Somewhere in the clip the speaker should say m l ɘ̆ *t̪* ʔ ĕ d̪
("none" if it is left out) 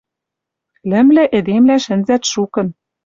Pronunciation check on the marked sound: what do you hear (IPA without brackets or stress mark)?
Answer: none